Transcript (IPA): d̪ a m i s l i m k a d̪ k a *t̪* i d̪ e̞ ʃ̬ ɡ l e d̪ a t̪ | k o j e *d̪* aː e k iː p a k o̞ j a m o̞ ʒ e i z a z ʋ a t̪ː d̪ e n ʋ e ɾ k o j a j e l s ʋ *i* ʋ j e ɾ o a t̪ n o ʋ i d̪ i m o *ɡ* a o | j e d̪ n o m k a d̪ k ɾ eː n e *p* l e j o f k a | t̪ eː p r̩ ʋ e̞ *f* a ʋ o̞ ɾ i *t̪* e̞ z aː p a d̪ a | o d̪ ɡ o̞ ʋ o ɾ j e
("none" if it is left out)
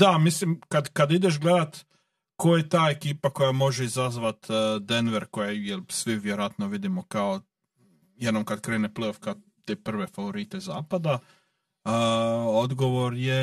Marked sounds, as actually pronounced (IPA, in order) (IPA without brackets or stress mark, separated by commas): d̪, t̪, i, k, p, f, t̪